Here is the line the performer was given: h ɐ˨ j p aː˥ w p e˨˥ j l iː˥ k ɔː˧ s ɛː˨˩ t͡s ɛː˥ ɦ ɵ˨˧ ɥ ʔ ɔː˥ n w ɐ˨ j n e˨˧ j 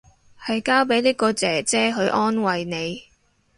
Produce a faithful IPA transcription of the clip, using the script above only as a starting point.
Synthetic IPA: h ɐ˨ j k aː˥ w p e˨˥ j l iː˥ k ɔː˧ t͡s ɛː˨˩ t͡s ɛː˥ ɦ ɵ˨˧ ɥ ʔ ɔː˥ n w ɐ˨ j n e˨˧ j